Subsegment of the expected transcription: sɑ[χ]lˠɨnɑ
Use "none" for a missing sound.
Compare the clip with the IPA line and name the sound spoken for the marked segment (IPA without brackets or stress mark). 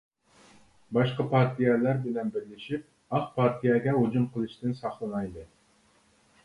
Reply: χ